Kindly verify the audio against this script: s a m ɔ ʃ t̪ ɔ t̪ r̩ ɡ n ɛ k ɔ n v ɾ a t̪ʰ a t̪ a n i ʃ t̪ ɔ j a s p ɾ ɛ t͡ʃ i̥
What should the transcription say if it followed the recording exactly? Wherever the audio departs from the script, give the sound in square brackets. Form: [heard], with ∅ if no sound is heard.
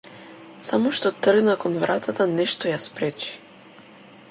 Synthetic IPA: s a m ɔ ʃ t̪ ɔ t̪ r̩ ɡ n [a] k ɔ n v ɾ a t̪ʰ a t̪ a n [ɛ] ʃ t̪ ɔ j a s p ɾ ɛ t͡ʃ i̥